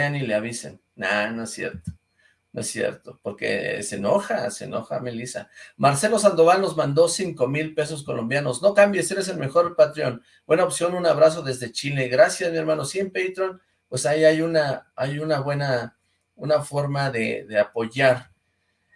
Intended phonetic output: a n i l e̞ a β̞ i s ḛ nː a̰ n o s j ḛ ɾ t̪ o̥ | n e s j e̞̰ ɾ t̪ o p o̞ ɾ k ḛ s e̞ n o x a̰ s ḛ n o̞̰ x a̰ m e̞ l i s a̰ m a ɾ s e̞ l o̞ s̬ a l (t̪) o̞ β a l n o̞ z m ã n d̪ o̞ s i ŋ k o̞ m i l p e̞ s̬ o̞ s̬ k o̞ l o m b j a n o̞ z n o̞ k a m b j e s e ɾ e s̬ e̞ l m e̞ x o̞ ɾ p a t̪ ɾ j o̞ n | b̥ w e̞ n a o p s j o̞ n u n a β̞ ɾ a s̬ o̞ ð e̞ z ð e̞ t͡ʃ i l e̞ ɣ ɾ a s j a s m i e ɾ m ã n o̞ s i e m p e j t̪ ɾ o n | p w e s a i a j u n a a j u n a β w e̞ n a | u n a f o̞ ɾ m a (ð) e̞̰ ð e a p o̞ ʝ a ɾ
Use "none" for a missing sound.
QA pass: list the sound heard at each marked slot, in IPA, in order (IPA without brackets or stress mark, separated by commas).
d̪, ð